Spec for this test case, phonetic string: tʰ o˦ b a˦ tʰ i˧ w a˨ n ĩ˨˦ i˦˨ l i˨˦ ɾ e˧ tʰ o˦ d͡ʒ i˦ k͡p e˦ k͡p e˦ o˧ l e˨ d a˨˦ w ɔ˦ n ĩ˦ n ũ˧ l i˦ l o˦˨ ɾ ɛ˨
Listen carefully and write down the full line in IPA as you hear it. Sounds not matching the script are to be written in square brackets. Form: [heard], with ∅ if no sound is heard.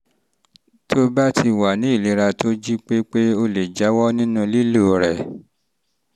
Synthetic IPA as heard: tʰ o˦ b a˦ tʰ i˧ w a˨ n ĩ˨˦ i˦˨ l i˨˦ ɾ [a˧] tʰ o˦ d͡ʒ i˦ k͡p e˦ k͡p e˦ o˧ l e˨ [d͡ʒ] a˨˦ w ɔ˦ n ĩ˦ n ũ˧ l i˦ l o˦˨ ɾ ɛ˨